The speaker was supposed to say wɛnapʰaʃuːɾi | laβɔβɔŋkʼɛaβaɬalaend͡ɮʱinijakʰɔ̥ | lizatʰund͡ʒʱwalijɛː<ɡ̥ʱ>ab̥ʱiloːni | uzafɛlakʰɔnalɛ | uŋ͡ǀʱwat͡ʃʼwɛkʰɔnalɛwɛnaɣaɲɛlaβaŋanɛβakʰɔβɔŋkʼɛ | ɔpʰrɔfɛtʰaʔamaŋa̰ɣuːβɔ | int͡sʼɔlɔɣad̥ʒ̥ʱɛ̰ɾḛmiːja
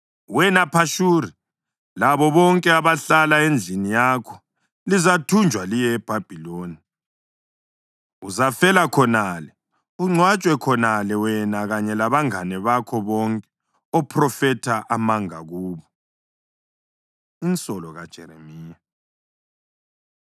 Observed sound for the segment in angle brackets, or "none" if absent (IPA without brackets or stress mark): b̥ʱ